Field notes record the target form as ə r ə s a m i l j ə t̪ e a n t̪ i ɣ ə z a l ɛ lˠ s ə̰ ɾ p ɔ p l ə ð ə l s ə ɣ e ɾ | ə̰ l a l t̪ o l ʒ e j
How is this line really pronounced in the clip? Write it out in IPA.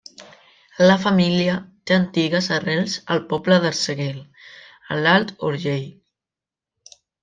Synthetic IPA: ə l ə f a m i l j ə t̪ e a n t̪ i ɣ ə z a r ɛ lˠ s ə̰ l p ɔ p l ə ð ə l s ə ɣ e l | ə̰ l a l t̪ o ɾ ʒ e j